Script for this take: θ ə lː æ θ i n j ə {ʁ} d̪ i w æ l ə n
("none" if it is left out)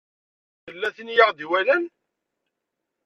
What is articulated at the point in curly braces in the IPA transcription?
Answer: ʁ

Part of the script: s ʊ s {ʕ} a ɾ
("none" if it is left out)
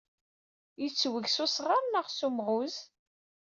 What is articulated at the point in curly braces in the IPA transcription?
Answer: ʁ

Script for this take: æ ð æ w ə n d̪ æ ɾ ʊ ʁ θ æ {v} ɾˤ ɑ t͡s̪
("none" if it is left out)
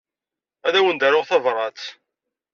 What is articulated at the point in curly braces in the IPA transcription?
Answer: v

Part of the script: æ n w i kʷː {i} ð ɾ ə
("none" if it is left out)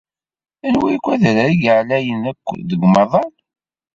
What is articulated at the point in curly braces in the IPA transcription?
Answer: æ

